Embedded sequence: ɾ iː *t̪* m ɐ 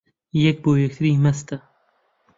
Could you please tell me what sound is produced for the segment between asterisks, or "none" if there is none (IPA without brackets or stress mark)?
none